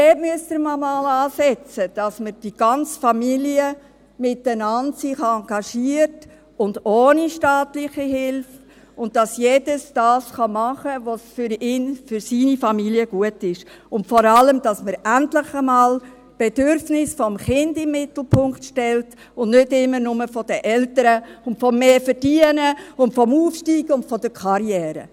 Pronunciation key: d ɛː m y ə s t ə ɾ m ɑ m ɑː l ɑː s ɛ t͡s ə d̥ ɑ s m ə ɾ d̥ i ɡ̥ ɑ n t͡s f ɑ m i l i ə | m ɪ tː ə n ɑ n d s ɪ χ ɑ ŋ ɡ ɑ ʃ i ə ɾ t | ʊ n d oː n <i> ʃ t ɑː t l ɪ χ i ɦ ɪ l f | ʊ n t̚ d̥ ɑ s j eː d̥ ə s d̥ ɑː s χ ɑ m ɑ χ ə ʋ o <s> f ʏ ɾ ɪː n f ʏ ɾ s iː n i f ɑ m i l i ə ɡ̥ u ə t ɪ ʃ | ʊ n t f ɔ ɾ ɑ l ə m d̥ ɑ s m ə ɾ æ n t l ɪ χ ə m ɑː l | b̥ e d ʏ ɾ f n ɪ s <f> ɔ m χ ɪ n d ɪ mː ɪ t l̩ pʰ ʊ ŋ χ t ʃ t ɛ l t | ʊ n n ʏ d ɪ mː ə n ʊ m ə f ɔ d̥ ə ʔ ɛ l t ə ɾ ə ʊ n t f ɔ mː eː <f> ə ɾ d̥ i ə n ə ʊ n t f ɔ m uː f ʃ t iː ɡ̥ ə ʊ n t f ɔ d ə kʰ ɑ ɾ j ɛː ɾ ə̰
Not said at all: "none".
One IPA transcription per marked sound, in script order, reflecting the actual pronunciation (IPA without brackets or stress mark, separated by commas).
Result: i, s, f, f